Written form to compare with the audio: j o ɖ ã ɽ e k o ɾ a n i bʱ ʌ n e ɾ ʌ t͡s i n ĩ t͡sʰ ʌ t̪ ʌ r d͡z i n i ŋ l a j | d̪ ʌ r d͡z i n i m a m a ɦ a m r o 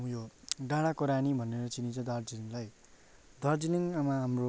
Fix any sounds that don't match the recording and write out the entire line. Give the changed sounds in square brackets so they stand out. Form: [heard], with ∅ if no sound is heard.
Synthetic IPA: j o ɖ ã ɽ [a] k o ɾ a n i bʱ ʌ n e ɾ ʌ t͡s i n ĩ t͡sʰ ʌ [d̪] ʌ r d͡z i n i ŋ l a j | d̪ ʌ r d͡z i n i [ŋ] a m a ɦ a m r o